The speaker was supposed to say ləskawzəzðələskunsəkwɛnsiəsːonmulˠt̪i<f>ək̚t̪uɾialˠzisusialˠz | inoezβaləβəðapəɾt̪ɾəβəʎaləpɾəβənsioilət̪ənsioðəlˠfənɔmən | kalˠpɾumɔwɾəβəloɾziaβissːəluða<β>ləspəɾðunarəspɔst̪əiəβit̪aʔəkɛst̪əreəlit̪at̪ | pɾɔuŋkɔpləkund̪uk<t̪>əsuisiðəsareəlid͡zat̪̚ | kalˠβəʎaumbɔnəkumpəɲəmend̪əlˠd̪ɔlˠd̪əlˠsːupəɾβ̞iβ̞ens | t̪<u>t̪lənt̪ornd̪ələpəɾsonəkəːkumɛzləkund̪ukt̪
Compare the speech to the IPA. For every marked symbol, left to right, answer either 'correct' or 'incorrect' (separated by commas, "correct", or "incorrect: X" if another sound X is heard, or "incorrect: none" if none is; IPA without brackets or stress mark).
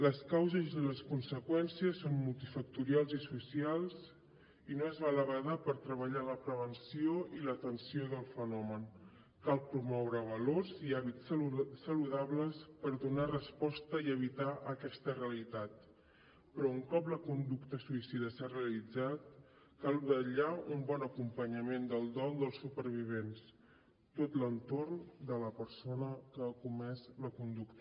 correct, correct, correct, incorrect: o